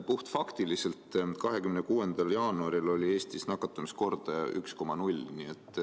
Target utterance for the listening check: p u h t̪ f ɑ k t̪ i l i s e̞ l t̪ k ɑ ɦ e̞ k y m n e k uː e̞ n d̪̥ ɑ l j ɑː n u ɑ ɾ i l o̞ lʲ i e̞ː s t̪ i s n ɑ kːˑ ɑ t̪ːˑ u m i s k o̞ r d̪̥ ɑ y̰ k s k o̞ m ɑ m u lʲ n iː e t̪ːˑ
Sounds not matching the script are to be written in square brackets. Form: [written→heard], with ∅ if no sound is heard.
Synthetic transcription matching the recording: p u h t̪ f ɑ k t̪ i l i s e̞ l t̪ k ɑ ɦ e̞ k y m n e k uː e̞ n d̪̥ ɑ l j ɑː n u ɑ ɾ i l o̞ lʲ i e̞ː s t̪ i s n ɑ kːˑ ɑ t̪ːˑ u m i s k o̞ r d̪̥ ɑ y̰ k s k o̞ m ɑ [m→n] u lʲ n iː e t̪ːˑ

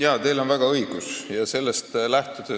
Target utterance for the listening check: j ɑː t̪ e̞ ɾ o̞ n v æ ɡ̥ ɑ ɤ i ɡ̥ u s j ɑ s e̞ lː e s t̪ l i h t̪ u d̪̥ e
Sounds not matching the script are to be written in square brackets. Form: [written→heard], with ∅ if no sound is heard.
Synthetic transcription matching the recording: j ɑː t̪ e̞ [ɾ→l] o̞ n v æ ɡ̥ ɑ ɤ i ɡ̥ u s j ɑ s e̞ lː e s t̪ l [i→æ] h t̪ u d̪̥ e

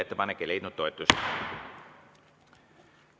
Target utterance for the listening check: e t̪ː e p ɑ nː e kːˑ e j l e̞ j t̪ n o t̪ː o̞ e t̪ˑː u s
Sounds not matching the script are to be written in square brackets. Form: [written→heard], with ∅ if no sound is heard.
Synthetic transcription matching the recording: e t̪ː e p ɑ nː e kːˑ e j l e̞ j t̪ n [o→u] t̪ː o̞ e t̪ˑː u s

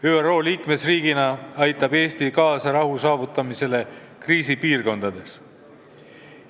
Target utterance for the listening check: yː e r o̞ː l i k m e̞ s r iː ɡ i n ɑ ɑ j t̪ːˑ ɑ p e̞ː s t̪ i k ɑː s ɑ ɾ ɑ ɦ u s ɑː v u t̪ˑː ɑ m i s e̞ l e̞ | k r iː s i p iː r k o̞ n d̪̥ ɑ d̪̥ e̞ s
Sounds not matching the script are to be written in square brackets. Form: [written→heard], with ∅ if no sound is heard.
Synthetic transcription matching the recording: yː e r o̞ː l [i→iː] k m e̞ s r iː ɡ i n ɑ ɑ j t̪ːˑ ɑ [p→b] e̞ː s t̪ i k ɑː s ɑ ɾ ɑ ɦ u s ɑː v u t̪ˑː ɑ m i s e̞ l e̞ | k r iː s i p iː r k o̞ n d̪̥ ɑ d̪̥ e̞ s

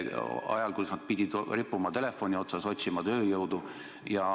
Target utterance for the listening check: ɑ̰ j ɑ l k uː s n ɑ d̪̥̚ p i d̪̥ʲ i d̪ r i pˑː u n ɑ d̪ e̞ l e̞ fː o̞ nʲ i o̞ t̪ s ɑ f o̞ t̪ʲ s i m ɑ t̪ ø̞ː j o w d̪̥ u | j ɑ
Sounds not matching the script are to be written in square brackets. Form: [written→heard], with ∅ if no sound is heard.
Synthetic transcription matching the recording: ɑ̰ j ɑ l k [uː→u] s n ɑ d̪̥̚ p i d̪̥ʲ i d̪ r i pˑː u [n→m] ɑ [d̪→t̪] e̞ l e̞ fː o̞ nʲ i o̞ t̪ s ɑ [f→s] o̞ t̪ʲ s i m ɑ t̪ ø̞ː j [o→ɤ] w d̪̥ u | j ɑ

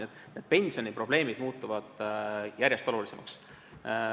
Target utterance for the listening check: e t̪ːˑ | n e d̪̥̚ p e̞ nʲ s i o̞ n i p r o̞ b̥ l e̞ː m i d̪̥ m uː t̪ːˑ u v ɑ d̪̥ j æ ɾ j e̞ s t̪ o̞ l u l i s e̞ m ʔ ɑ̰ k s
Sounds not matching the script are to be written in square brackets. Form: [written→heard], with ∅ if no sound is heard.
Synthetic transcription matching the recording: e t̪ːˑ | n e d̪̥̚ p e̞ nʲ s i o̞ n i p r o̞ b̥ l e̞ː m i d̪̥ m uː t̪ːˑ u v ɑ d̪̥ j æ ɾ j e̞ s t̪ o̞ l u l i s e̞ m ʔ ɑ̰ k s

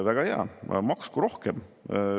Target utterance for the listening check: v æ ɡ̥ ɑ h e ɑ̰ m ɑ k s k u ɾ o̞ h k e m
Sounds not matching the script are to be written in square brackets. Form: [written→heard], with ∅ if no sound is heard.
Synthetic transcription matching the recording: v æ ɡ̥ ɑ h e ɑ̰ m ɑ k s k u ɾ o̞ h k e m

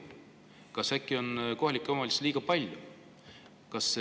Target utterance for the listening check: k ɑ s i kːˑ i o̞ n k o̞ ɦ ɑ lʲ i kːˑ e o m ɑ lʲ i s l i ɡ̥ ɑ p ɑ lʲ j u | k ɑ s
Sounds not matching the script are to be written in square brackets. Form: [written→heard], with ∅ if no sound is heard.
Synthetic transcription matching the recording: k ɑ s [i→æ] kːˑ i o̞ n k o̞ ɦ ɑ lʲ i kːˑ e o m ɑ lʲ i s l [i→iː] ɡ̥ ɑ p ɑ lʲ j u | k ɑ s

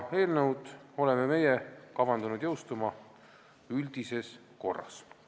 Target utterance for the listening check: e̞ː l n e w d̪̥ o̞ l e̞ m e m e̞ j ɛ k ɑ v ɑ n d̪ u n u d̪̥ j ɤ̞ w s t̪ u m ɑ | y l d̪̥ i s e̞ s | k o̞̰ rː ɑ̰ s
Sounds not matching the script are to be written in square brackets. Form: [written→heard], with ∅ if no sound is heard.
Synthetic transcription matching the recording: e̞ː l n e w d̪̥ o̞ l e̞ m e m e̞ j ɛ k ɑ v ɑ n d̪ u n u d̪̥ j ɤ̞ w s t̪ u m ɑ | y l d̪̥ i s e̞ s | k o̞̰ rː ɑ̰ s

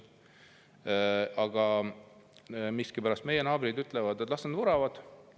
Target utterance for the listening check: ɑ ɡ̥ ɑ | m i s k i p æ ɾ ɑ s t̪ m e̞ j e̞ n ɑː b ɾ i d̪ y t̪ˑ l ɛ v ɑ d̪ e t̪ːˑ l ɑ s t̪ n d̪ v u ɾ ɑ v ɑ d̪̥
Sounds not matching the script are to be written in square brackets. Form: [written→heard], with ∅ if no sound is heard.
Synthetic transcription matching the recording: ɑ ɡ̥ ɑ | m i s k i p æ ɾ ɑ s t̪ m e̞ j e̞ n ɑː b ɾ i d̪ y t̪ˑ l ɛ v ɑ d̪ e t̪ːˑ l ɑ s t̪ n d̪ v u ɾ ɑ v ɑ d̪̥

